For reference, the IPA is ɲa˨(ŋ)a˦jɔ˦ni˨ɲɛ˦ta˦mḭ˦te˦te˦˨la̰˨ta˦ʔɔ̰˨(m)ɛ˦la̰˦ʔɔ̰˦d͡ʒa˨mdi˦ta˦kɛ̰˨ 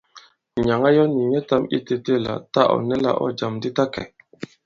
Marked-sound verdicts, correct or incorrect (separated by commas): correct, incorrect